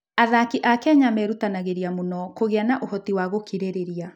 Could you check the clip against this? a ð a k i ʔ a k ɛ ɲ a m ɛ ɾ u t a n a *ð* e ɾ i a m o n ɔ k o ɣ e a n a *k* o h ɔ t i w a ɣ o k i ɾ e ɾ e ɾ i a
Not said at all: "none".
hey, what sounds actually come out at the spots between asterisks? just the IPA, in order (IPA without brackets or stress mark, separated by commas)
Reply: ɣ, ʔ